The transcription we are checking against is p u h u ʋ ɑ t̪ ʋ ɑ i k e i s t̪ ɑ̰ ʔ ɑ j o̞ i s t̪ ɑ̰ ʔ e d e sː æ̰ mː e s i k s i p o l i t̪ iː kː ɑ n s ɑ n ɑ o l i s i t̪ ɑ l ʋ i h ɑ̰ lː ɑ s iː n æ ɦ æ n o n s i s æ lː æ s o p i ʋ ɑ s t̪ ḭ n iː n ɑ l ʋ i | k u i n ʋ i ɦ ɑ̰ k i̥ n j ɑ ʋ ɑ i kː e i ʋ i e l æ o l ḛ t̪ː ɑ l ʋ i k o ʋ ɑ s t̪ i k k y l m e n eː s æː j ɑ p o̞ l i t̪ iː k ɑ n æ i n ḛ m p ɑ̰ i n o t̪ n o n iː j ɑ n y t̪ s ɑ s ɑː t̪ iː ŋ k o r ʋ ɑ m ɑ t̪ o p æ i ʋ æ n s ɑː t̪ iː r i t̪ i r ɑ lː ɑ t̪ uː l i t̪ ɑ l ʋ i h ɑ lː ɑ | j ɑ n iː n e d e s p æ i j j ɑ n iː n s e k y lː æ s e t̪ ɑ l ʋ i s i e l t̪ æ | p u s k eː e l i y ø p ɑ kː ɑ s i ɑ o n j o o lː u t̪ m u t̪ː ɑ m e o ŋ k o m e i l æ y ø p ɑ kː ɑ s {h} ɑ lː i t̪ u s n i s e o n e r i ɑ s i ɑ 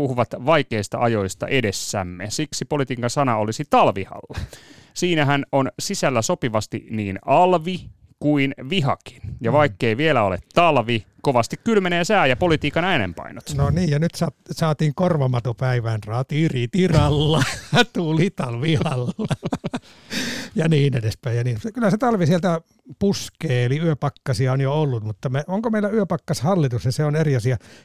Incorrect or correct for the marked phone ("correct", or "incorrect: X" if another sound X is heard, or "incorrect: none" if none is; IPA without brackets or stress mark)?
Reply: correct